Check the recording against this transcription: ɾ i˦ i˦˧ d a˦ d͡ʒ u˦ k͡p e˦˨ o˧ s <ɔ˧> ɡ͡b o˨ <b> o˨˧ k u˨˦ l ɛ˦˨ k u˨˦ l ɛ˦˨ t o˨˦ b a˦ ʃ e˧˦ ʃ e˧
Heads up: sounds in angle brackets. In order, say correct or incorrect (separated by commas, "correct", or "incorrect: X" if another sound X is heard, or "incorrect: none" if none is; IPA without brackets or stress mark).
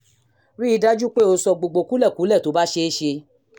correct, incorrect: ɡ͡b